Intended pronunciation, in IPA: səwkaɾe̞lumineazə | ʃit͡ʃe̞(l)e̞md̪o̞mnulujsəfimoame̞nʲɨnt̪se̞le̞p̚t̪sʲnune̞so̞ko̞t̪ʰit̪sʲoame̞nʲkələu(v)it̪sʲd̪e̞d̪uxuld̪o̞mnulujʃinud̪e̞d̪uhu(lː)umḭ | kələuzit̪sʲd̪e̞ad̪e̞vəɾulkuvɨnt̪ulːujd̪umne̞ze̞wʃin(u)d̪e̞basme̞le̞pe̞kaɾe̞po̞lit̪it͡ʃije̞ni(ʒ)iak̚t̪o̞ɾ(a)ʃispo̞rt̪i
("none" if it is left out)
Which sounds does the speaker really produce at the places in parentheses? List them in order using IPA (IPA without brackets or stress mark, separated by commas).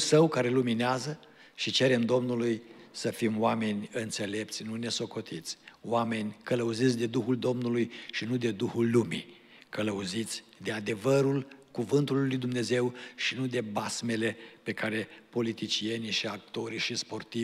ɾ, z, lː, u, ʃ, i